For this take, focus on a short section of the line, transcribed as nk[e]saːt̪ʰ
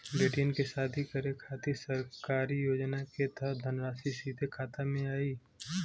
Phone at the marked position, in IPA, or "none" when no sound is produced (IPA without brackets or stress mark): e